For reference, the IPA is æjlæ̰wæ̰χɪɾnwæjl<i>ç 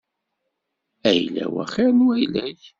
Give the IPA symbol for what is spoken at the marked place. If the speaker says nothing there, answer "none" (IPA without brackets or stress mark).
æ